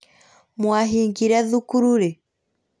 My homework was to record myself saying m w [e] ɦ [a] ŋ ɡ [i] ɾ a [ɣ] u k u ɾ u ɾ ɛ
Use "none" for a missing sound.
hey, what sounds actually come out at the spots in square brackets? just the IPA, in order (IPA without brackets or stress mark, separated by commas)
a, i, i, ð